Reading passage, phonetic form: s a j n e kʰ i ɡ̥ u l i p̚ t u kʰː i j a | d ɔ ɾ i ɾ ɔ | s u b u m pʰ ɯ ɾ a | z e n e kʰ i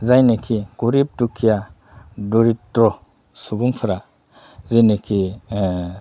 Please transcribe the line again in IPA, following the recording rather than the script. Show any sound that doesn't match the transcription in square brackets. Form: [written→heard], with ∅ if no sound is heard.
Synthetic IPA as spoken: [s→z] a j n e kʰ i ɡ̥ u [l→ɾ] i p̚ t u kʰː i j a | d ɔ ɾ i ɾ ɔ | s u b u [m→ŋ] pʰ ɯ ɾ a | z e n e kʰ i

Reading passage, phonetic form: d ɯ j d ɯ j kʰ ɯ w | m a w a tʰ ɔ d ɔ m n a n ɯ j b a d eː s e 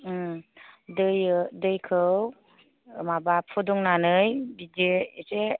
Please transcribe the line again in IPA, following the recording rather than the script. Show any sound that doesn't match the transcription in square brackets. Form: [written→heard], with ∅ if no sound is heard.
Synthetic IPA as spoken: d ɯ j d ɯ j kʰ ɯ w | m a [w→b] a [tʰ→pʰ] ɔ d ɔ [m→ŋ] n a n ɯ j b [a→i] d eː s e

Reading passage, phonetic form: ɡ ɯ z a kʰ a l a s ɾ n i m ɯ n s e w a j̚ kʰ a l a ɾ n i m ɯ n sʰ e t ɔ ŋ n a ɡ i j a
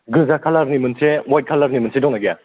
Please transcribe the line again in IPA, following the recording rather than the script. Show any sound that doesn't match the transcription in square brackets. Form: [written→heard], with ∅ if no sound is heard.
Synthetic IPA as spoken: ɡ ɯ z a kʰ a l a [s→∅] ɾ n i m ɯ n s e w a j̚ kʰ a l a ɾ n i m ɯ n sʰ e [t→d] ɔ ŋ n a ɡ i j a

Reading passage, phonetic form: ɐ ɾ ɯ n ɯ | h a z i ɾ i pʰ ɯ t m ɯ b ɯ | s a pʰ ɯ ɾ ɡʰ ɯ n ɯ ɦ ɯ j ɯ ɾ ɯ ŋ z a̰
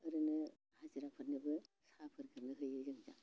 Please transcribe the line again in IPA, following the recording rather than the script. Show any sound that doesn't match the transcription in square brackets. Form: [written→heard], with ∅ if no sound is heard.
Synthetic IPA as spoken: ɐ ɾ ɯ n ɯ | h a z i ɾ [i→a] pʰ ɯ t [m→n] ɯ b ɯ | s a pʰ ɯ ɾ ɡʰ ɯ n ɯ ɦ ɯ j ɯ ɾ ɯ ŋ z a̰

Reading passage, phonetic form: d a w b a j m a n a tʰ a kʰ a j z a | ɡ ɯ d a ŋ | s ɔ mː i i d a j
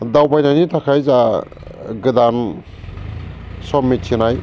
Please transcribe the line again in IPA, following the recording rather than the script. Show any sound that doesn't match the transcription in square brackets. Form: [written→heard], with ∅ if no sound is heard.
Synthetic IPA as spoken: d a w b a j [m→n] a n [a→i] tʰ a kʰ a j z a | ɡ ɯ d a [ŋ→n] | s ɔ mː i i [d→n] a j

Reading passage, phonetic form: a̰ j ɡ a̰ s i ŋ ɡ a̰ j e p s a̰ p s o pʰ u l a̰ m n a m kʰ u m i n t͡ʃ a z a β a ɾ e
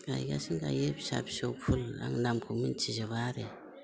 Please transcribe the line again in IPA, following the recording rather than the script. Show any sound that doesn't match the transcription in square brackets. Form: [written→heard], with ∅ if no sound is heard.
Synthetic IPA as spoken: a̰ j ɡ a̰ s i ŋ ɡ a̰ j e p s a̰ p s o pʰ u l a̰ [m→ŋ] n a m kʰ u m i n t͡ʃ [a→i] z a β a ɾ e

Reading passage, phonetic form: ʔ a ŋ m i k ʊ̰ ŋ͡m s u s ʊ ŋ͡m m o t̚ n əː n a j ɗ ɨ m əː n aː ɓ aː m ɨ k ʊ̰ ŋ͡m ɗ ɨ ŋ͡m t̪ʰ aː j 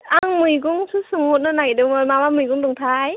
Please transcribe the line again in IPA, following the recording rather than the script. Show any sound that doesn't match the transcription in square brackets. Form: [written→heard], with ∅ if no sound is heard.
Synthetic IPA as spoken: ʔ a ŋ m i k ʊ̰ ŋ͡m s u s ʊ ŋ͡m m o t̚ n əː n a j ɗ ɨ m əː [n→m] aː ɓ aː m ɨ k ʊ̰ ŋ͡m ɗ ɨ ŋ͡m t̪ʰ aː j

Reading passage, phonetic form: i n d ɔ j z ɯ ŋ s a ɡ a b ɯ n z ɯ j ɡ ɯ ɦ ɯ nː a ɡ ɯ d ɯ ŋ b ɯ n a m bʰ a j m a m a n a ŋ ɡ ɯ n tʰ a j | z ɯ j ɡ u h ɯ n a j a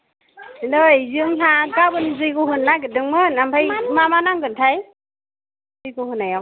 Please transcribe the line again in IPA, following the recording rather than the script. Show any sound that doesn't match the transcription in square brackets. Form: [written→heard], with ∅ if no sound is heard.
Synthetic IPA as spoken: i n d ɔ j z ɯ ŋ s a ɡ a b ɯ n z ɯ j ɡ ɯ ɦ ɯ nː a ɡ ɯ d ɯ ŋ [b→m] ɯ n a m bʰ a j m a m a n a ŋ ɡ ɯ n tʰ a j | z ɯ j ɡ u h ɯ n a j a

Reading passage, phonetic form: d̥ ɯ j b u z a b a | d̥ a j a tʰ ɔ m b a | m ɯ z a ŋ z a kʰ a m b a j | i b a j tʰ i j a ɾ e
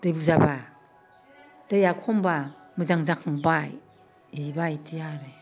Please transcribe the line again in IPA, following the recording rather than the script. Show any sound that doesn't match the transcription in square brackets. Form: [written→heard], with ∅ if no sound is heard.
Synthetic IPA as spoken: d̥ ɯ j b u z a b a | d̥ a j a [tʰ→kʰ] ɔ m b a | m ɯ z a ŋ z a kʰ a [m→ŋ] b a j | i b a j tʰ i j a ɾ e

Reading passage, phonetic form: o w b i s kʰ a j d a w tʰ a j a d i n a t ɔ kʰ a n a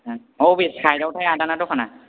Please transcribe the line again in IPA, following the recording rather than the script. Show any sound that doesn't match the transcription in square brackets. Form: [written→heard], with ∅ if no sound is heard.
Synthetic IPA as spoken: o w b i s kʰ a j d a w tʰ a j a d [i→a] n a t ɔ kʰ a n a

